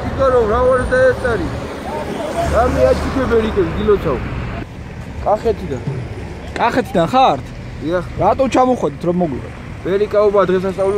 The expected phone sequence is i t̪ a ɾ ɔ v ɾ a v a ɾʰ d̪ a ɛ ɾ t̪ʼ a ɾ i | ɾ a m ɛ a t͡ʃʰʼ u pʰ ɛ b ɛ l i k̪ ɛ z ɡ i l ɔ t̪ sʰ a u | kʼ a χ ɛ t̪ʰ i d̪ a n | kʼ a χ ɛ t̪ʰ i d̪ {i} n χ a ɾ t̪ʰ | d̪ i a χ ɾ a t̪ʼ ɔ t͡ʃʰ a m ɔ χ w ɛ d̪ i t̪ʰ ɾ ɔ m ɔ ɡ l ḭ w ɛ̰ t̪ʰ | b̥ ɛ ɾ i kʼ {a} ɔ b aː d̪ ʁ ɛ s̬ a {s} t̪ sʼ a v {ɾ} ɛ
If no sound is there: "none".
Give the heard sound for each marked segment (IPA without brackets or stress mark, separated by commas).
a, a, s, l